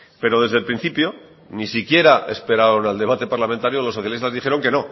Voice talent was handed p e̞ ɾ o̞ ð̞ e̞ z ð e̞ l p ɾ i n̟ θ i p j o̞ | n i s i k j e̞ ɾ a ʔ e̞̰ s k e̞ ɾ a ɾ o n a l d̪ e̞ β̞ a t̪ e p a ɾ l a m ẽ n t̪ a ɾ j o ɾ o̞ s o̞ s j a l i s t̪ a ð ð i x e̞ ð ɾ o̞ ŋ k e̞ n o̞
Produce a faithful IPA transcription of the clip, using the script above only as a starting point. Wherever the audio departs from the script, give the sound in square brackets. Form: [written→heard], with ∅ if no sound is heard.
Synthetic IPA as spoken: p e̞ ɾ o̞ ð̞ e̞ z ð e̞ l p ɾ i n̟ θ i p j o̞ | n i s i k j e̞ ɾ a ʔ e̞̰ s [k→p] e̞ ɾ a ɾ o n a l d̪ e̞ β̞ a t̪ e p a ɾ l a m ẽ n t̪ a ɾ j o [ɾ→l] o̞ s o̞ [s→θ] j a l i s t̪ a [ð→z] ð i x e̞ [ð→∅] ɾ o̞ ŋ k e̞ n o̞